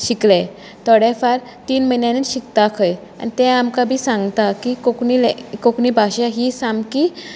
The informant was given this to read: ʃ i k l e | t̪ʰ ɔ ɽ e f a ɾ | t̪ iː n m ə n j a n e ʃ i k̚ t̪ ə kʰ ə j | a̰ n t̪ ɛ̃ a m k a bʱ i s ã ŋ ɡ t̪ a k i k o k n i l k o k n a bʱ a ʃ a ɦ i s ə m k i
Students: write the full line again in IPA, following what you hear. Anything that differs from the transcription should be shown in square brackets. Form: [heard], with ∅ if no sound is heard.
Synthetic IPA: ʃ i k l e | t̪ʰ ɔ ɽ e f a ɾ | t̪ iː n m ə n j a n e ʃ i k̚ t̪ [a] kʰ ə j | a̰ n t̪ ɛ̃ a m k a bʱ i s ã ŋ ɡ t̪ a k i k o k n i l k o k n [i] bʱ a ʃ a ɦ i s [a] m k i